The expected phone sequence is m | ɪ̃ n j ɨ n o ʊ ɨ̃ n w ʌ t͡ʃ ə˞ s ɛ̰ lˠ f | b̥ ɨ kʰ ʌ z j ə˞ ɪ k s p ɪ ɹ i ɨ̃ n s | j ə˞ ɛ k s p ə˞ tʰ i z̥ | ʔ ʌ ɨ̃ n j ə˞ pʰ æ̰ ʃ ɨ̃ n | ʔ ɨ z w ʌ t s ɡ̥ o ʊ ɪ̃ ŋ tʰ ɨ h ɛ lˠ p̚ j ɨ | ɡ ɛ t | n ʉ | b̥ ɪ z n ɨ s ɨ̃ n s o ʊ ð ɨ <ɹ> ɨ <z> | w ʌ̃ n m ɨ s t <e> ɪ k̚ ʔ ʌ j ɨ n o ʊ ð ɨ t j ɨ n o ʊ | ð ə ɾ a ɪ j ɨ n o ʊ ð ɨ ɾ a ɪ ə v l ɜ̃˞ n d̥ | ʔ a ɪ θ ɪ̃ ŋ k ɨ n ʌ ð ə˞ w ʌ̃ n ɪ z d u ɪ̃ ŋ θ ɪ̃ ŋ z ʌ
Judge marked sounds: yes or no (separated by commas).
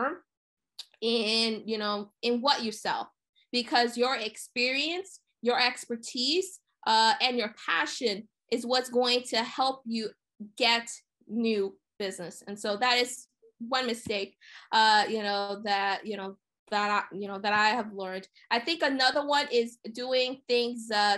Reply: no, yes, yes